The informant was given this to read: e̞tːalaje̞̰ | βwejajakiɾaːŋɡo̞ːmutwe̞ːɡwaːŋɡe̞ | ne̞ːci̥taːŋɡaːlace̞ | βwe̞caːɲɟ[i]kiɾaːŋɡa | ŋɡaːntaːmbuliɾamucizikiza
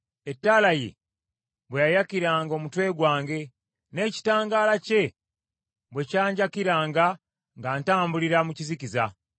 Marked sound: incorrect: a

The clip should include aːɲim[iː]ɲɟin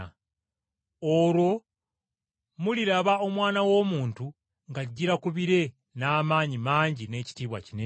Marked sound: incorrect: aː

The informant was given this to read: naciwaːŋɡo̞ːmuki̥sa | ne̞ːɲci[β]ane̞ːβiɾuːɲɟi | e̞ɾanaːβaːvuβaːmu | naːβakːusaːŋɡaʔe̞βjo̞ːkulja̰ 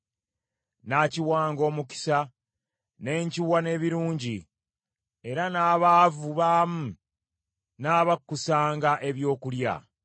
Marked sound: incorrect: w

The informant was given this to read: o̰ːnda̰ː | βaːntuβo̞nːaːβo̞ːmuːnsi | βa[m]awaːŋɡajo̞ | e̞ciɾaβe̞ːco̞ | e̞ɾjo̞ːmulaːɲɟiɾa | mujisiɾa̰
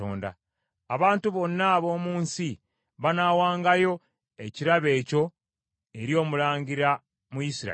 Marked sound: incorrect: n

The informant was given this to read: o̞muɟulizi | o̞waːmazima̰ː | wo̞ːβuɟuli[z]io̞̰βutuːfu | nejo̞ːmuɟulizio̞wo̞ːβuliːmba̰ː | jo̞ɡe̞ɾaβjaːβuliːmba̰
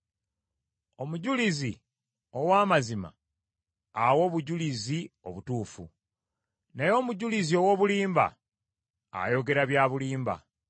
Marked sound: correct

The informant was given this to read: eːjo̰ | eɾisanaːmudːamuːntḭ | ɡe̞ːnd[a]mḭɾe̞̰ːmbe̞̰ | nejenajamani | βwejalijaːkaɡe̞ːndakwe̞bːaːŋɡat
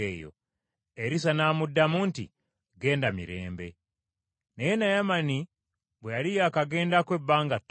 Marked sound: correct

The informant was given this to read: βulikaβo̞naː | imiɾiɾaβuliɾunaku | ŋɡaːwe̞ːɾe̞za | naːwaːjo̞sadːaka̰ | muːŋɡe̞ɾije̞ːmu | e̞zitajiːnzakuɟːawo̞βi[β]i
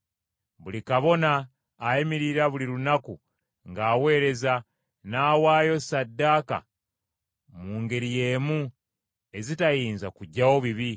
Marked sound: correct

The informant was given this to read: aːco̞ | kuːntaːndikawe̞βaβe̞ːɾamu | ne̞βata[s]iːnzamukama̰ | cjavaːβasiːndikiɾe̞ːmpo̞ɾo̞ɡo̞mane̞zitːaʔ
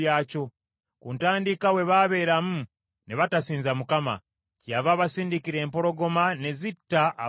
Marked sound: correct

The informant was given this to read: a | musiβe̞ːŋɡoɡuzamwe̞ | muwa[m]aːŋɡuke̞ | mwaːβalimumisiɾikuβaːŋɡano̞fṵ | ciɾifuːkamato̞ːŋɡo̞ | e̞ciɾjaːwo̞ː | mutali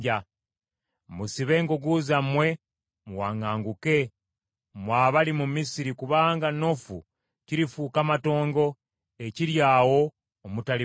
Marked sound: incorrect: ŋ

